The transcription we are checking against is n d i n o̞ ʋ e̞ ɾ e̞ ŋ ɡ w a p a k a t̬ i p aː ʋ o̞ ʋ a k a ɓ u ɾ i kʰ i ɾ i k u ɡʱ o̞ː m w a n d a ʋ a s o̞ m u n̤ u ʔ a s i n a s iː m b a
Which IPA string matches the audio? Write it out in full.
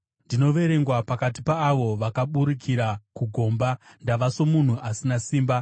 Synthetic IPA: n d i n o̞ ʋ e̞ ɾ e̞ ŋ ɡ w a p a k a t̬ i p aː ʋ o̞ ʋ a k a ɓ u ɾ i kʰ i ɾ a k u ɡʱ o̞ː m b a n d a ʋ a s o̞ m u n̤ u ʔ a s i n a s iː m b a